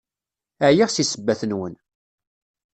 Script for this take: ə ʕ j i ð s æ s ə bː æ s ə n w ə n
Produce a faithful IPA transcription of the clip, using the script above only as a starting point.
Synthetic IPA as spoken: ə ʕ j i ʁ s i s ə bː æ θ ə n w ə n